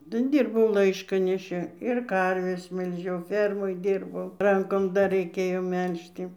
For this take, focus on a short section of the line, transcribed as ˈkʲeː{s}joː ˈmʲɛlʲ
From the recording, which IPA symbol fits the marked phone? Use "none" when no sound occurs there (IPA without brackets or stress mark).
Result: none